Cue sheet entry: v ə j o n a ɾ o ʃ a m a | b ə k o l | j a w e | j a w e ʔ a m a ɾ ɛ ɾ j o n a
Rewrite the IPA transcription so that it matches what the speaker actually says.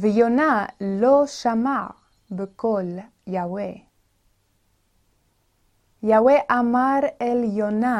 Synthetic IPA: v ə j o n a l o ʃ a m a | b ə k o l | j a w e | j a w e ʔ a m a ɾ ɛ l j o n a